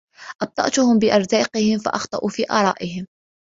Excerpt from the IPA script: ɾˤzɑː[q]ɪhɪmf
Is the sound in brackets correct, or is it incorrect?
correct